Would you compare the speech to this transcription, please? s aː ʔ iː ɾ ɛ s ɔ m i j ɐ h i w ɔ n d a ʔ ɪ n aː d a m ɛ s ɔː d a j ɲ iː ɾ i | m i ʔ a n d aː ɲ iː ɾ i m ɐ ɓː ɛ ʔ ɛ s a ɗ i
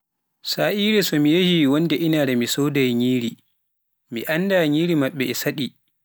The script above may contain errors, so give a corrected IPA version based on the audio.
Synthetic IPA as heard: s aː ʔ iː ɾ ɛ s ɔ m i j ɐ h i w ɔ n d ɛ ʔ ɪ n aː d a m i s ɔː d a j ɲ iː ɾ i | m i ʔ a n d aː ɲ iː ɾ i m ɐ ɓː ɛ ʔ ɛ s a ɗ i